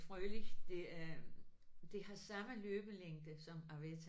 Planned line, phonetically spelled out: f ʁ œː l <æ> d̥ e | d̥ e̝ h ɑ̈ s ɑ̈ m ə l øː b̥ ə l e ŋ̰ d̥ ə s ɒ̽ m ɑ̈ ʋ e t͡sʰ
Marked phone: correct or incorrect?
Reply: incorrect